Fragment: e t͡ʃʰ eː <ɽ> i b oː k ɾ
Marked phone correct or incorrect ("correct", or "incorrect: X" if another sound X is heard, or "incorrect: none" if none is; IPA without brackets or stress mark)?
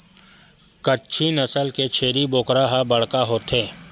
incorrect: ɾ